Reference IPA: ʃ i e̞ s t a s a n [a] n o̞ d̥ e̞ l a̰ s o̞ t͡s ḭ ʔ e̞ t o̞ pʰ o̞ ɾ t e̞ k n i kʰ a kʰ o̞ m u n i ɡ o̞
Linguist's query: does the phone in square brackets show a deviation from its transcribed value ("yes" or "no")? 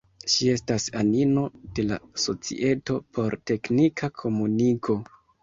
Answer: yes